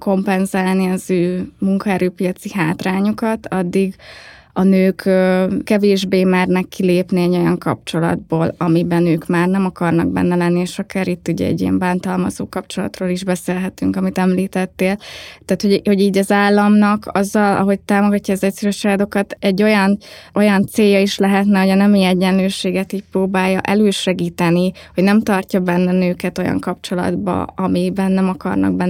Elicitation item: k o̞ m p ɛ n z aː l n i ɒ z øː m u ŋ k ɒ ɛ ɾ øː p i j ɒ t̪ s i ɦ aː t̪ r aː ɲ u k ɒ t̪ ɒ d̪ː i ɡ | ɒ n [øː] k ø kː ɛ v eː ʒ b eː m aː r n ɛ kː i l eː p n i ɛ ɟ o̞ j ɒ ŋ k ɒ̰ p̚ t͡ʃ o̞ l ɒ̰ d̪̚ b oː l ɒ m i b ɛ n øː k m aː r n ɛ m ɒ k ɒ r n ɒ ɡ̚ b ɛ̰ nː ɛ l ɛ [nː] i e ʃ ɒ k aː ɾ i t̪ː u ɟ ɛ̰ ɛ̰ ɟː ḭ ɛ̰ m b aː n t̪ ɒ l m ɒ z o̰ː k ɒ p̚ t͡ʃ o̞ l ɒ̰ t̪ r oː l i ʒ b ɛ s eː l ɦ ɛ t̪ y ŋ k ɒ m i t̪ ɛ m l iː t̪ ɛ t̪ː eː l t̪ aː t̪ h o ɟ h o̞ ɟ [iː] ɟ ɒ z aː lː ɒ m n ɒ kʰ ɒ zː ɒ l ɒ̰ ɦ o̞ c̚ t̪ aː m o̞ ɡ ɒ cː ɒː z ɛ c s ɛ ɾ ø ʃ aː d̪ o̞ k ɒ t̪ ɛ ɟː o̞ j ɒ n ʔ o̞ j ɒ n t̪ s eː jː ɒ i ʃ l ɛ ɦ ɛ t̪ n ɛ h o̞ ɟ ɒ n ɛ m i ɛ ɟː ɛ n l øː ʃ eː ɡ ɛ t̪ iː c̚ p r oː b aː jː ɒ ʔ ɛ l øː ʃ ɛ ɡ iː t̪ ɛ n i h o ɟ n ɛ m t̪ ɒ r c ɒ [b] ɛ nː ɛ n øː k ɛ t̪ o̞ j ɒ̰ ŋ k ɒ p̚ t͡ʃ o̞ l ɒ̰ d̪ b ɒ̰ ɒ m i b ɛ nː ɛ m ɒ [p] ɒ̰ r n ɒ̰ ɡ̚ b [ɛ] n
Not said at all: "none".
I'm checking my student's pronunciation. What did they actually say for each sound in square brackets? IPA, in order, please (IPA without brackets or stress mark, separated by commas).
øː, nː, iː, b, k, ɛ